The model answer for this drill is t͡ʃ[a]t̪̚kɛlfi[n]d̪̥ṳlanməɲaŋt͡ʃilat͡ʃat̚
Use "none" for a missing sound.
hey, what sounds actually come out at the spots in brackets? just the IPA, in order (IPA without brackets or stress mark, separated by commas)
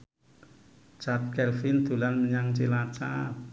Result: a, n